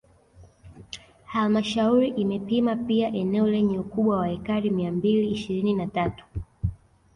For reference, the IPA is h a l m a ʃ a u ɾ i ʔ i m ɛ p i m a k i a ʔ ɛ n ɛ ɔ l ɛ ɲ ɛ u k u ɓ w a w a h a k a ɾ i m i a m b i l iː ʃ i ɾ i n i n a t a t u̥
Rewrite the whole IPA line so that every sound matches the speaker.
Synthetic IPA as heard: h a l m a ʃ a u ɾ i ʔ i m ɛ p i m a p i a ʔ ɛ n ɛ ɔ l ɛ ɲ ɛ u k u ɓ w a w a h ɛ k a ɾ i m i a m b i l iː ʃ i ɾ i n i n a t a t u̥